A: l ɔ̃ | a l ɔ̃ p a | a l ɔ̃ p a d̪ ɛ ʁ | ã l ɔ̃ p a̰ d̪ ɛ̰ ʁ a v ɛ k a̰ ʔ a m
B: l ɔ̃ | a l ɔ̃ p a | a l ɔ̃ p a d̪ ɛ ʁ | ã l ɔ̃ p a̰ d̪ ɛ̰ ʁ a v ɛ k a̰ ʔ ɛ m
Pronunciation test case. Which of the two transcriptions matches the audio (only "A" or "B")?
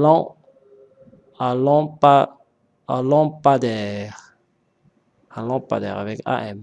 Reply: B